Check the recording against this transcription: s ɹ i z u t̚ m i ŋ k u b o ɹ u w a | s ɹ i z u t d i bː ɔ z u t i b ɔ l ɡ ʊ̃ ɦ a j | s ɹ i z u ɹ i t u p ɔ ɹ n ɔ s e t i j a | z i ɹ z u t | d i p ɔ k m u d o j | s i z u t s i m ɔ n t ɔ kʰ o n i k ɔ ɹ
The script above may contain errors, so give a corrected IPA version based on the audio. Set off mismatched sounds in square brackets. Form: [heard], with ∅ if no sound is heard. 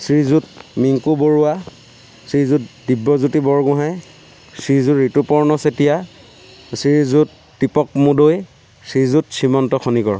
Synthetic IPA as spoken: s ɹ i z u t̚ m i ŋ k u b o ɹ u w a | s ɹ i z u t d i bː ɔ z u t i b ɔ [ɹ] ɡ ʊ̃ ɦ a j | s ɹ i z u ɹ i t u p ɔ ɹ n ɔ s e t i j a | [s] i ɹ z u t | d i p ɔ k m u d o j | s i z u t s i m ɔ n t ɔ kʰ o n i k ɔ ɹ